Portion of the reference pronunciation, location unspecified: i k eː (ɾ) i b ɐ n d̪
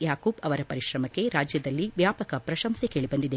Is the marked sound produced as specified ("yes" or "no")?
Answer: no